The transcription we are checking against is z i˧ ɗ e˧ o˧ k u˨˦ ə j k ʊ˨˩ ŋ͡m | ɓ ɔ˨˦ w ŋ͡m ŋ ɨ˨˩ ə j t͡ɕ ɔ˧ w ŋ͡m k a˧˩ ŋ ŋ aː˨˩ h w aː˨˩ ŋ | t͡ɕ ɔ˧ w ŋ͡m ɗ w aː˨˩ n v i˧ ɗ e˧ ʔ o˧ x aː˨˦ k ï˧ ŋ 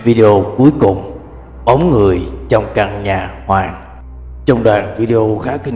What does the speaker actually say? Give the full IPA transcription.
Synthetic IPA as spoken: v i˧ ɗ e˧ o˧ k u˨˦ ə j k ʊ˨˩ ŋ͡m | ɓ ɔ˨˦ w ŋ͡m ŋ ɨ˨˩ ə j t͡ɕ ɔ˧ w ŋ͡m k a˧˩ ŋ ɲ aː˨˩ h w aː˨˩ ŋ | t͡ɕ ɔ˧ w ŋ͡m ɗ w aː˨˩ n v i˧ ɗ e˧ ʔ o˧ x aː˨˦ k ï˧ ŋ